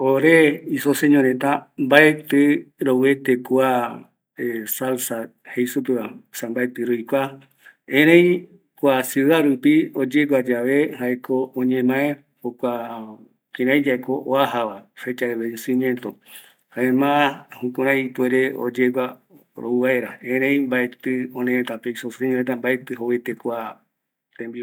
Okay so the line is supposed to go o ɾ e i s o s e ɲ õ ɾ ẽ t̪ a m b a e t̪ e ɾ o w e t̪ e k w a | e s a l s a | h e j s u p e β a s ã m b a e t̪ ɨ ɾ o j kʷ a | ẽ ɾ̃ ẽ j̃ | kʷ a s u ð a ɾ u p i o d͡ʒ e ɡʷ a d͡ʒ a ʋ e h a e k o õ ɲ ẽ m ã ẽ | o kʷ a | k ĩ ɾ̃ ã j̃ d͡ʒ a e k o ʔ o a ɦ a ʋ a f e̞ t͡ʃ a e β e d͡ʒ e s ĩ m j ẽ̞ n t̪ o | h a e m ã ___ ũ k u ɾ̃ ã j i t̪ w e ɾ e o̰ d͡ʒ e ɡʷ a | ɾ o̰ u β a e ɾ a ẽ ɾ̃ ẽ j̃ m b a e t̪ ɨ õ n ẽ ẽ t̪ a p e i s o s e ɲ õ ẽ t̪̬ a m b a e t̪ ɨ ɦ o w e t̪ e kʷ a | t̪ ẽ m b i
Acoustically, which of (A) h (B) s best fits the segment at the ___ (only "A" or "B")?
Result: A